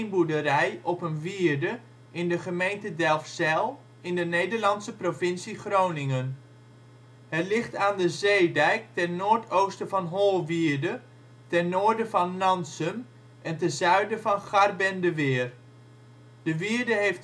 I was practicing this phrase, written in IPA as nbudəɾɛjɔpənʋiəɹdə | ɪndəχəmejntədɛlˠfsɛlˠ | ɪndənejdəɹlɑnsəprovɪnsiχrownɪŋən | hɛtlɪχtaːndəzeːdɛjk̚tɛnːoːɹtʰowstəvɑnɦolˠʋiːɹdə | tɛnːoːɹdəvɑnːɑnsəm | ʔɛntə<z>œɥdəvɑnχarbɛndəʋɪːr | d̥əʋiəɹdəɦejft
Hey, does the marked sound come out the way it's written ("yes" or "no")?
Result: yes